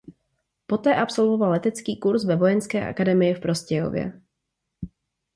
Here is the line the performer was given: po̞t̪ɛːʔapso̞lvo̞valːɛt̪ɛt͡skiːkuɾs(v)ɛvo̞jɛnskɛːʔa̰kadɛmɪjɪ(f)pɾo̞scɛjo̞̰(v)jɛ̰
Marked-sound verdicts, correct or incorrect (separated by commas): correct, correct, correct